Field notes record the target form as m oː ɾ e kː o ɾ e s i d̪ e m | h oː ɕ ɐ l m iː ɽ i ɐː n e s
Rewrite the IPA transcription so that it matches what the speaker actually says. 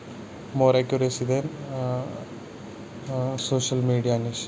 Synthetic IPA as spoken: m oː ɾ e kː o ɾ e s i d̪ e n | s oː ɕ ɐ l m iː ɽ i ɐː n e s